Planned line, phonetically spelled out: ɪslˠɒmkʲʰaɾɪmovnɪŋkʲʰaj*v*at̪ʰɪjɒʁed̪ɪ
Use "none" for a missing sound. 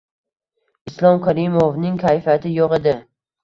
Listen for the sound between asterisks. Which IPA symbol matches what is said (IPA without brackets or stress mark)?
f